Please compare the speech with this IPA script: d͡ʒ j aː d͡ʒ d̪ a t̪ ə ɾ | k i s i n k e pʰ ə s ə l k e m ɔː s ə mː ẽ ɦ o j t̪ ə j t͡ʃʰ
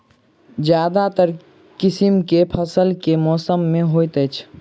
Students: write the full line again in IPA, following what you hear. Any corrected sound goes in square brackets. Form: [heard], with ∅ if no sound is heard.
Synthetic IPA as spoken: d͡ʒ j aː [∅] d̪ a t̪ ə ɾ | k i s i [m] k e pʰ ə s ə l k e m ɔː s ə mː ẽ ɦ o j t̪ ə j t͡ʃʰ